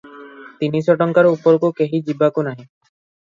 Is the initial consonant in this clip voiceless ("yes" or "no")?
yes